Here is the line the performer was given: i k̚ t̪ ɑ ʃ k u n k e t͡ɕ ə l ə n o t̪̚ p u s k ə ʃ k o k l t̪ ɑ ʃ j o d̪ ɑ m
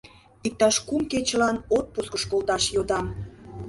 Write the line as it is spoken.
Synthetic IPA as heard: i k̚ t̪ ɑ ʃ k u m k e t͡ɕ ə l ɑ n o t̪̚ p u s k ə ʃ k o l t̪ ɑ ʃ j o d̪ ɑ m